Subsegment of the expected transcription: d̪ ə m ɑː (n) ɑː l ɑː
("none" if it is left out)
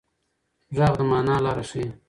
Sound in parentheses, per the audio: n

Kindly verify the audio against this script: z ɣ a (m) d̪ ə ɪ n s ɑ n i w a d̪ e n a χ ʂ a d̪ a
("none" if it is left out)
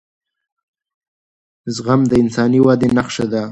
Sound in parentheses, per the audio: m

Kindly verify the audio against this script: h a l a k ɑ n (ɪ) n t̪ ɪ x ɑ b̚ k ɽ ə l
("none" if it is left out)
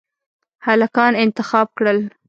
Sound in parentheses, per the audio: ɪ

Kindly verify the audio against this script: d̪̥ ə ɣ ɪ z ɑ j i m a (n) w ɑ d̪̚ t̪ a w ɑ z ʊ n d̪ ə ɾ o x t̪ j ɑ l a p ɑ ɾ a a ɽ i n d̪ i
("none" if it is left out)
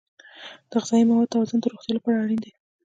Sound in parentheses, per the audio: none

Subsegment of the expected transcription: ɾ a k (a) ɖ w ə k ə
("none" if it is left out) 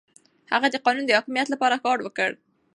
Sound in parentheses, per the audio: ɑ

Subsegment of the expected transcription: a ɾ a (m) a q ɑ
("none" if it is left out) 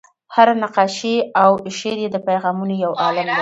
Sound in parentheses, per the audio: n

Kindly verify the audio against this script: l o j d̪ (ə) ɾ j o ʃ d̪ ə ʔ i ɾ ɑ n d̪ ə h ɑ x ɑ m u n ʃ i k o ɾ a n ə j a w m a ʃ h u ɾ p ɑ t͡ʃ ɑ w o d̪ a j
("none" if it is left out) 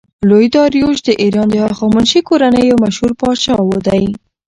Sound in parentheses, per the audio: ɑ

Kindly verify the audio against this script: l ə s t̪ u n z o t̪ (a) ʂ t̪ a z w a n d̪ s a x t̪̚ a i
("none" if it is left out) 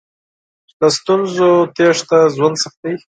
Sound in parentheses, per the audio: e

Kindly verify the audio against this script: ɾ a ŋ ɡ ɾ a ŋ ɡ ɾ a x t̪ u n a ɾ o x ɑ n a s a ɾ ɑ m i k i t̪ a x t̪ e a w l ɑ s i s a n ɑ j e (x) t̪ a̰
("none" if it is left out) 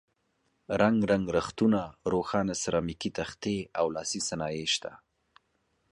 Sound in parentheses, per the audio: ʃ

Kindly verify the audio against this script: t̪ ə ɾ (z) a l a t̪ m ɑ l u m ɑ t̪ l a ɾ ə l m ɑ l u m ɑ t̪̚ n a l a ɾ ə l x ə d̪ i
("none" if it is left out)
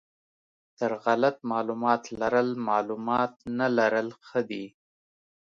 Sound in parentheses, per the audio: ɣ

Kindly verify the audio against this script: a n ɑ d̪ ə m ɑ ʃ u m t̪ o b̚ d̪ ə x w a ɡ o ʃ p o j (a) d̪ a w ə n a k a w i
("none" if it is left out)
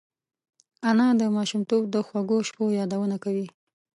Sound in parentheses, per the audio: ɑ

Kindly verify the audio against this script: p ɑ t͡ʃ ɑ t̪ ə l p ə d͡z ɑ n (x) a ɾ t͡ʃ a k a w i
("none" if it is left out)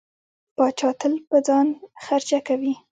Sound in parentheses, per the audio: x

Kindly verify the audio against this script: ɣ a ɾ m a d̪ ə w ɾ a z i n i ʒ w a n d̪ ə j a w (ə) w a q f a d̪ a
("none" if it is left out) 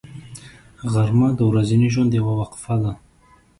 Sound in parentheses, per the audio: a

